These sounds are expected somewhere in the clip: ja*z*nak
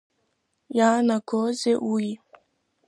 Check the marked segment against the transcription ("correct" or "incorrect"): incorrect